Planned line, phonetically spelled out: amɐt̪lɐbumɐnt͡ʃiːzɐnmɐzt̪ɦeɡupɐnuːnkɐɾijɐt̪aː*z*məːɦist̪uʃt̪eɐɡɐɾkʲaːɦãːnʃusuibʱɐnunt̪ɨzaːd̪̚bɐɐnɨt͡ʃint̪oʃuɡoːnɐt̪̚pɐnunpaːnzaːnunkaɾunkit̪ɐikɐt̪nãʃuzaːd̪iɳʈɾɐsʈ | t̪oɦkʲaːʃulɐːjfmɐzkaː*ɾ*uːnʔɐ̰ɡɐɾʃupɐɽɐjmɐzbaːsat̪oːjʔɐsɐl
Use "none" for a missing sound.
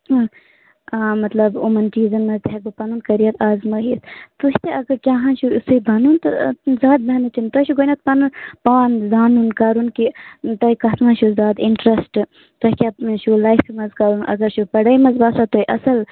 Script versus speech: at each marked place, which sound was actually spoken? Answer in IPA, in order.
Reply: z, ɾ

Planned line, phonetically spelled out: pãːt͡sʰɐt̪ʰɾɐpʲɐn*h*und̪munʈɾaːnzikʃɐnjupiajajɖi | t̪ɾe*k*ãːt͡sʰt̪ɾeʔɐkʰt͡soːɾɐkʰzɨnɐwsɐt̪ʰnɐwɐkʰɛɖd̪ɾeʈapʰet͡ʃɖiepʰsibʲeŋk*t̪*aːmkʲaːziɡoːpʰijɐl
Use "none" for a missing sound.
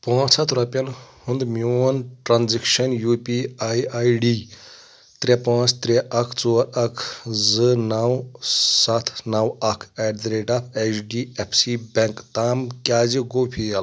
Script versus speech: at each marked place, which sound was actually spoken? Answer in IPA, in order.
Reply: h, p, t̪

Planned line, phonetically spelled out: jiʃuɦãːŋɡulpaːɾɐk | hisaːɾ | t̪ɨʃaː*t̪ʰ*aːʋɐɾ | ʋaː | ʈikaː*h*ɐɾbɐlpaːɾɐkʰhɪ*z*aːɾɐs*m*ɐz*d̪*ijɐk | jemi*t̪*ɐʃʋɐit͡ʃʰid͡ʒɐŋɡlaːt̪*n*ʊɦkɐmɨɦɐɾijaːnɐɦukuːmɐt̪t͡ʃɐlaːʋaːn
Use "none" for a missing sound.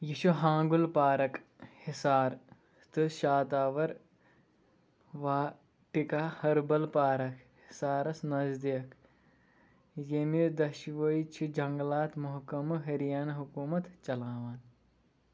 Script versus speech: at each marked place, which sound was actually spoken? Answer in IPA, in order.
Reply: t̪, h, s, n, d̪, d̪, m

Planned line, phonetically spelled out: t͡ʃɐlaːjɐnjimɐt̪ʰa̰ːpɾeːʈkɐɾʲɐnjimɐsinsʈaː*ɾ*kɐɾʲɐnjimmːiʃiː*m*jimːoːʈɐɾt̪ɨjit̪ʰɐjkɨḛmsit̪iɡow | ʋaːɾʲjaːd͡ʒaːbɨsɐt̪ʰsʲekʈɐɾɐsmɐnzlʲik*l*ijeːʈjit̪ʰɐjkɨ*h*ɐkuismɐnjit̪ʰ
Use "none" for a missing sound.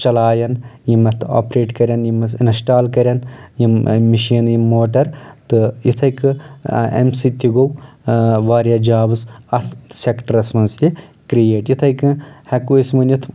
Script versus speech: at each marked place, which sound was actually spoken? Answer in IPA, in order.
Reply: l, n, ɾ, h

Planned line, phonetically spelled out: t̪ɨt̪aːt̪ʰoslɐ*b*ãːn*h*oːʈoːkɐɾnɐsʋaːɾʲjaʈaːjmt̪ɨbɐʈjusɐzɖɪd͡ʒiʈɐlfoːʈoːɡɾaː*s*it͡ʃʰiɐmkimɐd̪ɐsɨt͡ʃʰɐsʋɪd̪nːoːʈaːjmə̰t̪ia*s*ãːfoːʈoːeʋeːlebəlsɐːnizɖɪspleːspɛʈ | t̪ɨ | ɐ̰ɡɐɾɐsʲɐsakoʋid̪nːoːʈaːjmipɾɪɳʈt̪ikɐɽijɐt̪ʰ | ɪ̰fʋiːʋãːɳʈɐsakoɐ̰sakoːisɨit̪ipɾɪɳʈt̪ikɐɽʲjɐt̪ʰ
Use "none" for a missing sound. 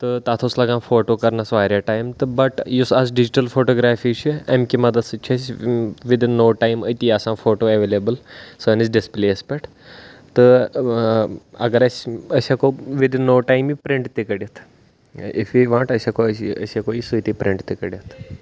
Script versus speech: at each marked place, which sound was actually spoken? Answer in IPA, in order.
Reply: ɡ, f, f, s

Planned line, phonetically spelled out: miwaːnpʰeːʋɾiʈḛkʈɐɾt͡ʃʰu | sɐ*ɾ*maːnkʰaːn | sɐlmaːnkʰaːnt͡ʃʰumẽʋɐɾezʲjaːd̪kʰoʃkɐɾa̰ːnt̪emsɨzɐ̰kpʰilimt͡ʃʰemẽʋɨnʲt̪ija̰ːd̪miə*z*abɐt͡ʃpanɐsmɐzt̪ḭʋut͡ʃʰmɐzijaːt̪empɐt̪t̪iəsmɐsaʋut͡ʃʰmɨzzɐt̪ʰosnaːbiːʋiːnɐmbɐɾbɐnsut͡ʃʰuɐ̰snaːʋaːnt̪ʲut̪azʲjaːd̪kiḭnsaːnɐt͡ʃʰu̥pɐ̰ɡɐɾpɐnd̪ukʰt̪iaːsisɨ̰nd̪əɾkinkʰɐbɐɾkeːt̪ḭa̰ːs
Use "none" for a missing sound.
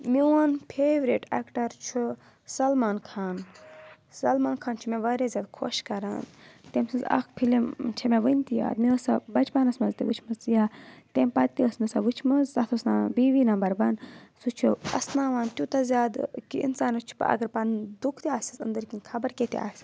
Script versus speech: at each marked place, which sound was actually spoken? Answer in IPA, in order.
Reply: l, s

